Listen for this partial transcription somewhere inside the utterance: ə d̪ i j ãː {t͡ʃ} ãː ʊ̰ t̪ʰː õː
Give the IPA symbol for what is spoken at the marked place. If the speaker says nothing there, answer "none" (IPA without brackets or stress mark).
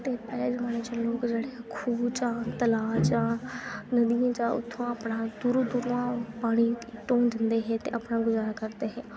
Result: t͡ʃ